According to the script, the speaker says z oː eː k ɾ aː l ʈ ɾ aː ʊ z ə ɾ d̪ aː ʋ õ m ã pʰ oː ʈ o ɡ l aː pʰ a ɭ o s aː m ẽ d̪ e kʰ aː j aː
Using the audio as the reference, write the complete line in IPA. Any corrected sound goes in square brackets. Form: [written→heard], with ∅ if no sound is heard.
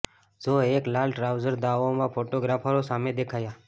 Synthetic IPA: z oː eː k [ɾ→l] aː l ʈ ɾ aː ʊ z ə ɾ d̪ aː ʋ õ m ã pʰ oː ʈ o ɡ [l→ɾ] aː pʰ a [ɭ→ɾ] o s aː m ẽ d̪ e kʰ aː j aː